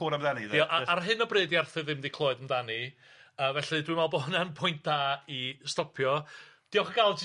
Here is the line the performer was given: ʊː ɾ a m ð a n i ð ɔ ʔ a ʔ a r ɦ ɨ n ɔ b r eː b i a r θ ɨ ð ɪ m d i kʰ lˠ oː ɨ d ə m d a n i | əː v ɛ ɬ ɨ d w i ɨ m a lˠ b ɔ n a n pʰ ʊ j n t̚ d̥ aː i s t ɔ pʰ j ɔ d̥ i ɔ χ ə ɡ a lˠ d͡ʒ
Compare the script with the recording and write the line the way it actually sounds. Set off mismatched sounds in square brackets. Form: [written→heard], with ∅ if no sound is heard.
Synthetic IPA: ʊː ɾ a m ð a n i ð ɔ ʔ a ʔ a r ɦ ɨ n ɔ b r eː [b→d] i a r θ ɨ ð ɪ m d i kʰ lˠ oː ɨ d ə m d a n i | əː v ɛ ɬ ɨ d w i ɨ m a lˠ b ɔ n a n pʰ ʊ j n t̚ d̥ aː i s t ɔ pʰ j ɔ d̥ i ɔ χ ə ɡ a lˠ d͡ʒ